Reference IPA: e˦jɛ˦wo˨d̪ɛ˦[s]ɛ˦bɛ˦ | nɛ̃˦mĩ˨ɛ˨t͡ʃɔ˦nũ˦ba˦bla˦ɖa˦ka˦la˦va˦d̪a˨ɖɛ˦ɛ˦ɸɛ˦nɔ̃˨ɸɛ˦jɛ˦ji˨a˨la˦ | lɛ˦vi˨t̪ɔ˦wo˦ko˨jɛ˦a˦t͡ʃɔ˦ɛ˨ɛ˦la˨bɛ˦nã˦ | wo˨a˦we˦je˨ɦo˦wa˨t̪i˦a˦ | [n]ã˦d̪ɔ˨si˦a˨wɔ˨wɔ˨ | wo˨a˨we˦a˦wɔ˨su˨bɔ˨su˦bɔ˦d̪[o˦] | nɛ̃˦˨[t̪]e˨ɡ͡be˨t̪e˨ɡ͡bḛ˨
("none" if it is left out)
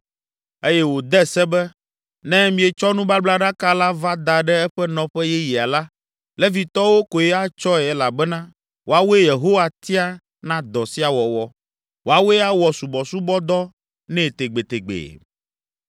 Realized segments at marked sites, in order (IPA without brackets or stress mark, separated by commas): s, n, ɔ˦, t̪